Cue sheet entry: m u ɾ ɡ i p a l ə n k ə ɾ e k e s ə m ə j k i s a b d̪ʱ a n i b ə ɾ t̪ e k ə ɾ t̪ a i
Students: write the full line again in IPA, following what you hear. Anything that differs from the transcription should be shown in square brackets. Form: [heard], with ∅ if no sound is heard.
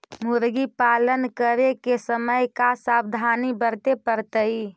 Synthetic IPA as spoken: m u ɾ ɡ i p a l ə n k ə ɾ e k e s ə m ə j k [a] s a b d̪ʱ a n i b ə ɾ t̪ e [p] ə ɾ t̪ [ə] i